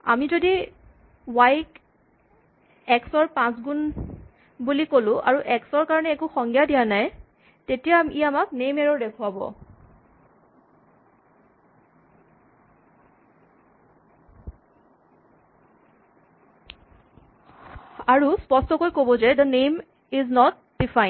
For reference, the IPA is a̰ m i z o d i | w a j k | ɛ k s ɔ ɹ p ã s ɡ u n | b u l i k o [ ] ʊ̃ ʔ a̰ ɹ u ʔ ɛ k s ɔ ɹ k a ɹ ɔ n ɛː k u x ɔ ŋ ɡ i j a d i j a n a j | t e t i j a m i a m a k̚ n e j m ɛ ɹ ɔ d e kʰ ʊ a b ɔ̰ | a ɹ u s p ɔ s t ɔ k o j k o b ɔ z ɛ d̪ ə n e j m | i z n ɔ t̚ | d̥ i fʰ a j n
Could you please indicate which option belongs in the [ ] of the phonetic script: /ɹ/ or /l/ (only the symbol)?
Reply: l